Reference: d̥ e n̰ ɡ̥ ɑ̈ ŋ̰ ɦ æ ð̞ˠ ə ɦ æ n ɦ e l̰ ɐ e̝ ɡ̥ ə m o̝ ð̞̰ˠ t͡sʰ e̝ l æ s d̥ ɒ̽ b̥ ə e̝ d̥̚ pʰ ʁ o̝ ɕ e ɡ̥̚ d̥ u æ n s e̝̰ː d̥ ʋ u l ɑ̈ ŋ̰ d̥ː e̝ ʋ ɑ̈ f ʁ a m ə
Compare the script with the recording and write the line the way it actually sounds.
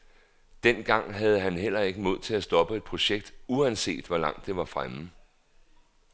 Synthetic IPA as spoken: d̥ e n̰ ɡ̥ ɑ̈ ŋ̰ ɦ æ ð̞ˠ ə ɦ æ n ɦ e l̰ ɐ e̝ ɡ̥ ə m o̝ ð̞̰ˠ t͡sʰ e̝ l æ s d̥ ɒ̽ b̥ ə e̝ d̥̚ pʰ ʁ o̝ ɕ e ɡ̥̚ d̥ u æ n s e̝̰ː d̥ ʋ ɒ l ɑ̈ ŋ̰ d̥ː e̝ ʋ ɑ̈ f ʁ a m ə